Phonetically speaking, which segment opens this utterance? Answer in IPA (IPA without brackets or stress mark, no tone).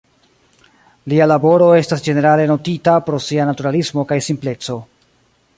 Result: l